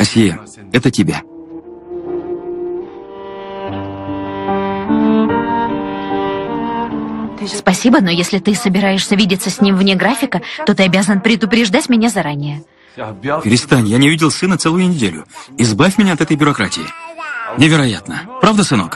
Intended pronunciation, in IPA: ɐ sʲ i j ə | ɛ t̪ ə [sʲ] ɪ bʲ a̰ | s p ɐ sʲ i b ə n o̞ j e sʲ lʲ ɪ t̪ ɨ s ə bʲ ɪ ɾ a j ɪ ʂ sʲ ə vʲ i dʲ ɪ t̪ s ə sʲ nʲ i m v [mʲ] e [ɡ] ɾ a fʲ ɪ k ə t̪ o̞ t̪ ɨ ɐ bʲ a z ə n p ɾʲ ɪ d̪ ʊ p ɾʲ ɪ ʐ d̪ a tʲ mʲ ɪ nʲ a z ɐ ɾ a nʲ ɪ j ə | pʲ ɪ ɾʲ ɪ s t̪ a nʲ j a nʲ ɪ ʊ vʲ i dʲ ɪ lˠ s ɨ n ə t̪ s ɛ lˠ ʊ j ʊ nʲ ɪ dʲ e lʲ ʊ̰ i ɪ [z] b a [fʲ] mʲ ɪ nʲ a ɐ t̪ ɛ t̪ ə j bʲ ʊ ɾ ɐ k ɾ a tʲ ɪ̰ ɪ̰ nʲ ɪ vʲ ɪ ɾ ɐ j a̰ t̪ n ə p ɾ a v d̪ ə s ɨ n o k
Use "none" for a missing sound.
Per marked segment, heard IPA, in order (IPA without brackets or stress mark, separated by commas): tʲ, nʲ, ɡ, z, fʲ